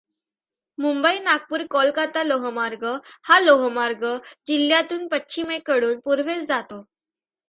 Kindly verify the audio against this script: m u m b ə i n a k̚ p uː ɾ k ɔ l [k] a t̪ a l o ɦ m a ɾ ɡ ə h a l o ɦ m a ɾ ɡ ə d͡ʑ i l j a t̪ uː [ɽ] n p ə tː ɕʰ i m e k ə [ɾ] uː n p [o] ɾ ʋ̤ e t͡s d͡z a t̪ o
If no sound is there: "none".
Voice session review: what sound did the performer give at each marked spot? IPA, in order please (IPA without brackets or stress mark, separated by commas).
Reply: k, none, ɽ, u